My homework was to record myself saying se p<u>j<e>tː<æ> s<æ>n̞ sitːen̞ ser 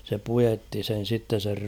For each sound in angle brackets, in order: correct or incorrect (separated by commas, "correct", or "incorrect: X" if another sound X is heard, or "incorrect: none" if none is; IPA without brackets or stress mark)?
correct, correct, incorrect: i, incorrect: e